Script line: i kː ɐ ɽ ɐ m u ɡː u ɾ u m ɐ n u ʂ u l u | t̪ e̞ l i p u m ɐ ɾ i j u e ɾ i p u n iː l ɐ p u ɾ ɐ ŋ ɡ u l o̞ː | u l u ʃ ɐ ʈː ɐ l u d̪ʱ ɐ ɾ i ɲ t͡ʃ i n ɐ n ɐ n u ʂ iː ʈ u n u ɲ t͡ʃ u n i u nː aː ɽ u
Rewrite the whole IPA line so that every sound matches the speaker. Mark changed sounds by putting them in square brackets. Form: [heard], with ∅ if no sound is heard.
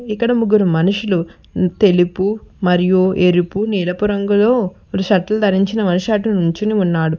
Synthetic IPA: i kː ɐ ɽ ɐ m u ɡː u ɾ u m ɐ n u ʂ u l u | t̪ e̞ l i p u m ɐ ɾ i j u e ɾ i p u n iː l ɐ p u ɾ ɐ ŋ ɡ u l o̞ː | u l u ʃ ɐ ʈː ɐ l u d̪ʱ ɐ ɾ i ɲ t͡ʃ i n ɐ [m] ɐ n u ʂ [aː] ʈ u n u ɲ t͡ʃ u n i u nː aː ɽ u